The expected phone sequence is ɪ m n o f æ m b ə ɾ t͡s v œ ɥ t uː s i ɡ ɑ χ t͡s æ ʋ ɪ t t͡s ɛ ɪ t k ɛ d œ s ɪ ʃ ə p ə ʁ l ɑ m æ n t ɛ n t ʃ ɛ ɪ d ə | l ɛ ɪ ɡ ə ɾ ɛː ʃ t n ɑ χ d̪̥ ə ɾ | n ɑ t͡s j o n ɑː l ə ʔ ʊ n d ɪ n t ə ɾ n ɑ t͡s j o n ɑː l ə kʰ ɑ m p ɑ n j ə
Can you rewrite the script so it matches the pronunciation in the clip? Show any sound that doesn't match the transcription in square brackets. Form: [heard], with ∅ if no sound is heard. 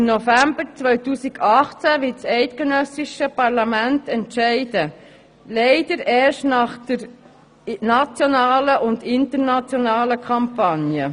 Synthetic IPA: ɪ m n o f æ m b ə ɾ t͡s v œ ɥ t uː s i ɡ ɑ χ t͡s æ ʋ ɪ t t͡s ɛ ɪ t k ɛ [n] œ s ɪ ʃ ə p [ɑ] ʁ l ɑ m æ n t ɛ n t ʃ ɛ ɪ d ə | l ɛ ɪ [d] ə ɾ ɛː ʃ t n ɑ χ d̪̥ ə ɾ | n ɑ t͡s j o n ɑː l ə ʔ ʊ n d ɪ n t ə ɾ n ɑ t͡s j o n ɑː l ə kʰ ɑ m p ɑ n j ə

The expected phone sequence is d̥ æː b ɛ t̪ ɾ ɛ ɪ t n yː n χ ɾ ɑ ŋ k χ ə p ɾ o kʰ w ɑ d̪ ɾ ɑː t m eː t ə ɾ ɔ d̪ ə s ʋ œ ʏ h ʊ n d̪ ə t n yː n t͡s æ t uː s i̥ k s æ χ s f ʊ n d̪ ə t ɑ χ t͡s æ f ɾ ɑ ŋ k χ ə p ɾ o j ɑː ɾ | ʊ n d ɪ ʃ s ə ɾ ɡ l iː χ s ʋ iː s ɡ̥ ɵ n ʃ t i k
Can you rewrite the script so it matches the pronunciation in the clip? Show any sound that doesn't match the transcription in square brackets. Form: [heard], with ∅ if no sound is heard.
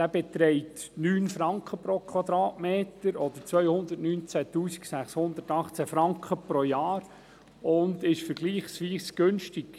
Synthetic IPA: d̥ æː b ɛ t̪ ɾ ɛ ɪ t n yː n [f] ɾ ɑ ŋ k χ ə p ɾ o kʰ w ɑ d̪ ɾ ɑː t m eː t ə ɾ ɔ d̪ ə [t͡s] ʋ œ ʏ h ʊ n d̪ ə t n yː n t͡s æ t uː s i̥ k s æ χ s [h] ʊ n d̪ ə t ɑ χ t͡s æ f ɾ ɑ ŋ k χ ə p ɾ o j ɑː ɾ | ʊ n d ɪ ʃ [f] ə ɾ ɡ l iː χ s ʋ iː s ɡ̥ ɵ n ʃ t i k

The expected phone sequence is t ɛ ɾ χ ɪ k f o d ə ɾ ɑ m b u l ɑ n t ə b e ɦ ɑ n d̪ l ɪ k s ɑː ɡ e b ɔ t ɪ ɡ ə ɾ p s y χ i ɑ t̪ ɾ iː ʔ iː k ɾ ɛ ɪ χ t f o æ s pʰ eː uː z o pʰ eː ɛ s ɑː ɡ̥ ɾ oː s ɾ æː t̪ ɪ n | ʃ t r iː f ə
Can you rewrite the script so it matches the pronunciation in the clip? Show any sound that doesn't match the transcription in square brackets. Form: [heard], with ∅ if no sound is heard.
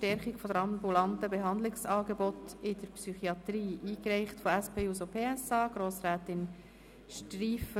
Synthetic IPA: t ɛ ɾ χ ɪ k f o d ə ɾ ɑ m b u l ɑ n t ə b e ɦ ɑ n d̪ l ɪ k s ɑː ɡ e b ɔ t ɪ [d] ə ɾ p s y χ i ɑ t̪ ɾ iː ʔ iː k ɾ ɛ ɪ χ t f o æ s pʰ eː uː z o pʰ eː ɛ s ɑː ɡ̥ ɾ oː s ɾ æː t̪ ɪ n | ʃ t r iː f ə

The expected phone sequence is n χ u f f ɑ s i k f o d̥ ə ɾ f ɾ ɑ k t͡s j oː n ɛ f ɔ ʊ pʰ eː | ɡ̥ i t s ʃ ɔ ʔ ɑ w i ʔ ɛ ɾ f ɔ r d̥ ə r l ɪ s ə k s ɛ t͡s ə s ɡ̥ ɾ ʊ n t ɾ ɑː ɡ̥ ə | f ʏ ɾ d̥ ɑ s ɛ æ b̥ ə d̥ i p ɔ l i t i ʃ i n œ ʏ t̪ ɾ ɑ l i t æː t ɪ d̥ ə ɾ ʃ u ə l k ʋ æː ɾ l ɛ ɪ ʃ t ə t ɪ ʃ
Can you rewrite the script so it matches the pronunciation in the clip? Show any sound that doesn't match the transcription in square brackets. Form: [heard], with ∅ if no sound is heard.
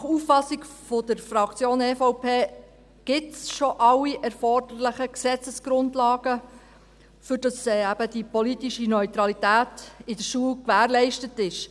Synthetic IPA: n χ u f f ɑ s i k f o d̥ ə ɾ f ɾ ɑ k t͡s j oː n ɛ f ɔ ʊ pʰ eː | ɡ̥ [ɪ] t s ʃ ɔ ʔ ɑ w i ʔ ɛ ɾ f ɔ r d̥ ə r l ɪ [χ] ə k s ɛ t͡s ə s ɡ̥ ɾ ʊ n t [l] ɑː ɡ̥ ə | f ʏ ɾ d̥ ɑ s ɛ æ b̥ ə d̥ i p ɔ l i t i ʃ i n œ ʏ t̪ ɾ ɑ l i t æː t ɪ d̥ ə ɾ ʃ u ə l k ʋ æː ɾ l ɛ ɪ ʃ t ə t ɪ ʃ

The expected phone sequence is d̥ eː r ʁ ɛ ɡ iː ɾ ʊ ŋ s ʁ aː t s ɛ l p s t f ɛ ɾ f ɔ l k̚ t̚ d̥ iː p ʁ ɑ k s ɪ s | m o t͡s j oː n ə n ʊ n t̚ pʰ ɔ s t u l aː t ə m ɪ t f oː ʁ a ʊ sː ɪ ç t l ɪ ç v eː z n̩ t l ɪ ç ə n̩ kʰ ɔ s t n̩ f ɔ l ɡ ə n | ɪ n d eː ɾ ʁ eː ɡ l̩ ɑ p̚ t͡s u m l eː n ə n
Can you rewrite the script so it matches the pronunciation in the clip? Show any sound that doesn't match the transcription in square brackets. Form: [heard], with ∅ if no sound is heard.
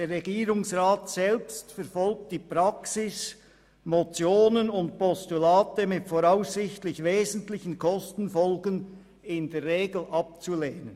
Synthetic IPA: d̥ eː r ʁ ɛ ɡ iː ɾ ʊ ŋ s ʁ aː t s ɛ l p s t f ɛ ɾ f ɔ l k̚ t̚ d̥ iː p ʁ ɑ k s ɪ s | m o t͡s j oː n ə n ʊ n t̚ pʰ ɔ s t u l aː t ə m ɪ t f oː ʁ a ʊ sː ɪ ç t l ɪ ç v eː z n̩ t l ɪ ç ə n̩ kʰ ɔ s t n̩ f ɔ l ɡ ə n | ɪ n d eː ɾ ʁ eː ɡ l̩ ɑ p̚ t͡s u [∅] l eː n ə n

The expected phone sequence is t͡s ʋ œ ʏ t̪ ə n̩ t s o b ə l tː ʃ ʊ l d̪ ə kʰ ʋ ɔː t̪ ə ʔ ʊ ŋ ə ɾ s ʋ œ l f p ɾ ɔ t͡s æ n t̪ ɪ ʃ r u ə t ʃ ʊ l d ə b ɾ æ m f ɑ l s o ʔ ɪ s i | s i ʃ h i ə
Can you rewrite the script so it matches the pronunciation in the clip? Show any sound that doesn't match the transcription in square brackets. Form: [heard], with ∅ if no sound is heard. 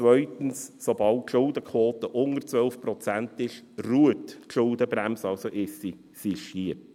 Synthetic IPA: t͡s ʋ œ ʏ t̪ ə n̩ [s] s o b [ɑ] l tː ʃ ʊ l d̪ ə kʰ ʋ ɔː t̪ ə ʔ ʊ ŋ ə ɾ [t͡s] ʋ œ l f p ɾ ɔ t͡s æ n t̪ ɪ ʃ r u ə t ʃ ʊ l d ə b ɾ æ m [s] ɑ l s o ʔ ɪ s i | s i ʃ h i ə

